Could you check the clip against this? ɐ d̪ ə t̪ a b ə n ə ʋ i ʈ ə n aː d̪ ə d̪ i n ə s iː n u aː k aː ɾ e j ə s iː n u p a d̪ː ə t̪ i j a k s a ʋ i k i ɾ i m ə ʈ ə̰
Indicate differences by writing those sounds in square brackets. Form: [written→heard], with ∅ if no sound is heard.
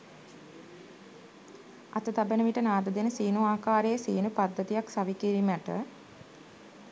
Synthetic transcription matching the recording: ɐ [d̪→t̪] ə t̪ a b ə n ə ʋ i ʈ ə n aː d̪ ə d̪ [i→e] n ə s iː n u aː k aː ɾ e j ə s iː n u p a d̪ː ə t̪ i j a k s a ʋ i k i ɾ i m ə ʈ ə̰